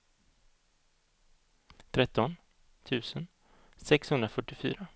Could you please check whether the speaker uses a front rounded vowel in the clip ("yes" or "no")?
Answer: yes